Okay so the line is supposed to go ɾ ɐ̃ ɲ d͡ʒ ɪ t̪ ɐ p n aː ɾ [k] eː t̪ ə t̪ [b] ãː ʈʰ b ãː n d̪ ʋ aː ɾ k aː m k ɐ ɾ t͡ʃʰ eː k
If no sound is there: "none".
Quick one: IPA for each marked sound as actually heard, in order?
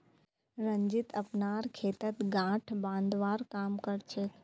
kʰ, ɡ

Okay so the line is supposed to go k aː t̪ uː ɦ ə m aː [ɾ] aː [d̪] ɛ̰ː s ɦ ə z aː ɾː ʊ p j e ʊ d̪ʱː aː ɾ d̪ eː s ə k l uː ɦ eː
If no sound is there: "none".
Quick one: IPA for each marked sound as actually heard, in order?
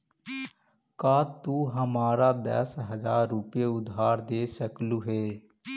ɾ, d̪

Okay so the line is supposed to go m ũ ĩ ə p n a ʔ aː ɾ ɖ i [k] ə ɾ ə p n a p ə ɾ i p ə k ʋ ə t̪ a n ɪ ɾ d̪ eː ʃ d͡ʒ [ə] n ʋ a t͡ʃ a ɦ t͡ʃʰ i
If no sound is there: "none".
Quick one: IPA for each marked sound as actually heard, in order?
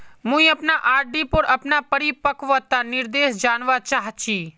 p, a

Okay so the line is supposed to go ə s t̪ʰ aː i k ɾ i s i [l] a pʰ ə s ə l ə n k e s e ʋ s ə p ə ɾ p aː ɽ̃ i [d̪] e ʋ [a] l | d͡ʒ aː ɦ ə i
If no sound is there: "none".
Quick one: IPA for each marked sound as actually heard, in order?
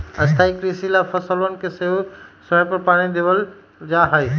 l, d̪, ə

